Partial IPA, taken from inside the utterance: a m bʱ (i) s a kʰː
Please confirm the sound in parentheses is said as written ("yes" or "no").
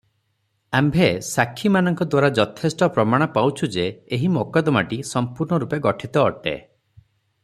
no